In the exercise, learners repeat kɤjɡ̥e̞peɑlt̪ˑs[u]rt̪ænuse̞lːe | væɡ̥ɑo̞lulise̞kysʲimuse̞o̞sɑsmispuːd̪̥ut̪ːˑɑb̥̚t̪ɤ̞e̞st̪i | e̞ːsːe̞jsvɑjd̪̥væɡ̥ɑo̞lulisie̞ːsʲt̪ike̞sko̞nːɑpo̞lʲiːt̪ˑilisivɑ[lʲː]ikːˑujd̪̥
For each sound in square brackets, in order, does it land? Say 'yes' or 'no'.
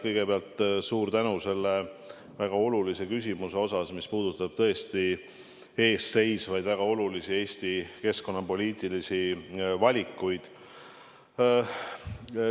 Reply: no, no

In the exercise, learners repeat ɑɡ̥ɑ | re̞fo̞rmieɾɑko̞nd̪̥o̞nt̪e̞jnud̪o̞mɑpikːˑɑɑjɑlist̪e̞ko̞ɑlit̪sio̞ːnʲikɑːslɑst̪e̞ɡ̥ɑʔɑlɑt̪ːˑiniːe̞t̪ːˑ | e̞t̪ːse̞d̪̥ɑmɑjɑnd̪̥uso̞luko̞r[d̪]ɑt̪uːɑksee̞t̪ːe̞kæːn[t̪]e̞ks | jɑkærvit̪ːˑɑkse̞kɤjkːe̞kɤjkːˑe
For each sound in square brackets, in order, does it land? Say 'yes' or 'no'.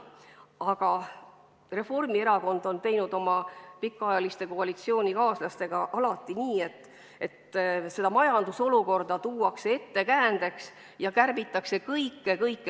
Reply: yes, no

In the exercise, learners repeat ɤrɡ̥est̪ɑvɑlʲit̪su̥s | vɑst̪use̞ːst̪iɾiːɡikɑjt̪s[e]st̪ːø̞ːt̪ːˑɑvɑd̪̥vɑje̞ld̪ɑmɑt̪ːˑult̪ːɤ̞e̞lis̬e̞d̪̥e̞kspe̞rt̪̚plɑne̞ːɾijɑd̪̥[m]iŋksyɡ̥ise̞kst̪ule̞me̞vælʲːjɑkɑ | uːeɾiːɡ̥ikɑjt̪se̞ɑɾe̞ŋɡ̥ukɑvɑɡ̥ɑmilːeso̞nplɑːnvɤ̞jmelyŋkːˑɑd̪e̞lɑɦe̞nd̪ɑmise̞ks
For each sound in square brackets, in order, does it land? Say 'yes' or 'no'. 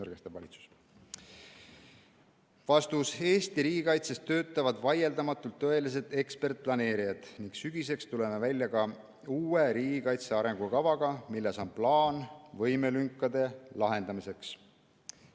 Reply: yes, no

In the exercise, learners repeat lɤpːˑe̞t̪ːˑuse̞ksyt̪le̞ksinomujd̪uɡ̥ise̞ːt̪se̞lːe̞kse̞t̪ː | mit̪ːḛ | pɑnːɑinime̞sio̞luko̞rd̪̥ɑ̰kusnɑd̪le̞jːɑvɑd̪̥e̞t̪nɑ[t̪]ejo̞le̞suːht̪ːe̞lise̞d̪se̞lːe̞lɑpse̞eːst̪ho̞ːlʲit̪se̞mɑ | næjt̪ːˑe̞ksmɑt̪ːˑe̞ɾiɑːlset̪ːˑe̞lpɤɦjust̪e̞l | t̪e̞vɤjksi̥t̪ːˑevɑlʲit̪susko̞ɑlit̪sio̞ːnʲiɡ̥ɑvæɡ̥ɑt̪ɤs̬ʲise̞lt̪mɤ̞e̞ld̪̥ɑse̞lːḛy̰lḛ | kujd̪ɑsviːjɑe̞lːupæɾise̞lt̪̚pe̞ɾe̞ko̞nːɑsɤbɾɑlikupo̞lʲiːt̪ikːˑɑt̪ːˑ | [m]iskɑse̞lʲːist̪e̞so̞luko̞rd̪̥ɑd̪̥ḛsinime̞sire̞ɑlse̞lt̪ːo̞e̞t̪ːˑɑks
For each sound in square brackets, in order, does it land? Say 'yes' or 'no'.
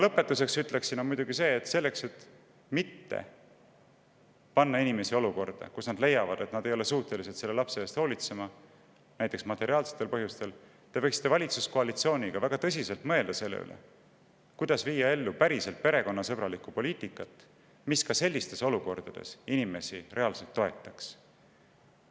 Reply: no, yes

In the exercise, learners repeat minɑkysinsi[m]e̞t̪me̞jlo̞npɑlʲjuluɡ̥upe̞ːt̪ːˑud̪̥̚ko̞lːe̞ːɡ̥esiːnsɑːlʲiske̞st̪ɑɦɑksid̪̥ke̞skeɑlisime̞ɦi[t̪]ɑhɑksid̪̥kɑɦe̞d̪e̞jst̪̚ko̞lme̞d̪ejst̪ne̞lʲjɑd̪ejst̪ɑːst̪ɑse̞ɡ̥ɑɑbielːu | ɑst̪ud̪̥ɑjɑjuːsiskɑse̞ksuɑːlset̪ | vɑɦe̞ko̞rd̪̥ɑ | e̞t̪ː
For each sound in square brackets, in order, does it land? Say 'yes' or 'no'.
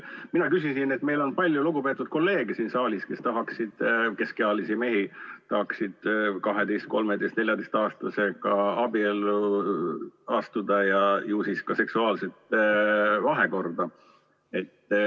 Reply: no, yes

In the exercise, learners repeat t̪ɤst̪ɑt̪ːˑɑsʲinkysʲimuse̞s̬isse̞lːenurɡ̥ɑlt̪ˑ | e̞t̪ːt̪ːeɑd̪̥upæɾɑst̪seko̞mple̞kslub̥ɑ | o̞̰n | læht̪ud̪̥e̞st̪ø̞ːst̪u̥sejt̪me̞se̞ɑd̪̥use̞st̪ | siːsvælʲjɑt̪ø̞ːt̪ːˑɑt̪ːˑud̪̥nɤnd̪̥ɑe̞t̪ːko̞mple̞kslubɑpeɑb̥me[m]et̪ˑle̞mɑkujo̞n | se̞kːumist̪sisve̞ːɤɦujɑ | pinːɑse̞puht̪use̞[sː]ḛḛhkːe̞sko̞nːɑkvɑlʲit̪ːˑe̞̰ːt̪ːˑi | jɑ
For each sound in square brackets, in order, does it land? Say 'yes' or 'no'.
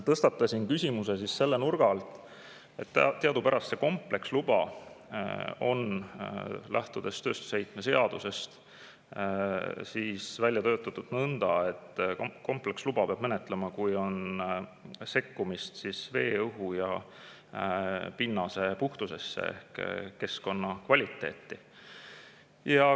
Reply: no, yes

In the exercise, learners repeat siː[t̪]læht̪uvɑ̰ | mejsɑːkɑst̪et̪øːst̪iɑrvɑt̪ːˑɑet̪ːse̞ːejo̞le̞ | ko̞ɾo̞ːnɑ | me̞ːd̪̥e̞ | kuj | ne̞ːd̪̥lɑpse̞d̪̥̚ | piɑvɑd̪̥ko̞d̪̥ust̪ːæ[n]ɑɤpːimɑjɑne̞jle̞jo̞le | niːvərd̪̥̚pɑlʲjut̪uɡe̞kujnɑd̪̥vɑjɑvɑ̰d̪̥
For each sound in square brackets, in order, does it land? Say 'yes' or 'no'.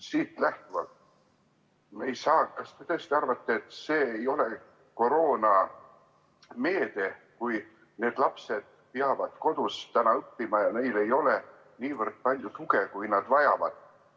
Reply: yes, yes

